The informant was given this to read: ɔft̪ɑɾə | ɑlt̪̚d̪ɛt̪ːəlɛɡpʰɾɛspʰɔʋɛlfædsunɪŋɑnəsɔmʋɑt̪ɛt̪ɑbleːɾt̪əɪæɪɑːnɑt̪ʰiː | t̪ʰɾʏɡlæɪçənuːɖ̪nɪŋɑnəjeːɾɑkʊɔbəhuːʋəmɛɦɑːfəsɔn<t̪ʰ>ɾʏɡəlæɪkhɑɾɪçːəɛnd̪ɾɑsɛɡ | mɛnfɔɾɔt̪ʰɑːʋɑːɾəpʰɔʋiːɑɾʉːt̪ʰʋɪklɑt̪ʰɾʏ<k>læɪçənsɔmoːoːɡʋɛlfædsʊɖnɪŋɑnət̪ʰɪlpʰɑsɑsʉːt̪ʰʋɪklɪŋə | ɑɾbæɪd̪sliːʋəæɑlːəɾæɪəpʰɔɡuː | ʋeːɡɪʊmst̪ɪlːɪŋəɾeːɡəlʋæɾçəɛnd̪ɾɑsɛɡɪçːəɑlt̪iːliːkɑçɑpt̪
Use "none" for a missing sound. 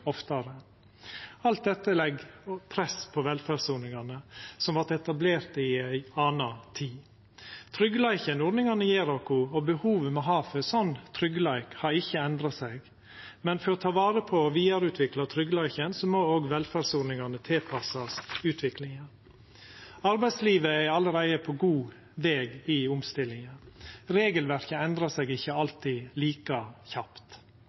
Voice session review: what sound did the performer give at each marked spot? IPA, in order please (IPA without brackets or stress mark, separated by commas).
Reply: t̪ʰ, ɡ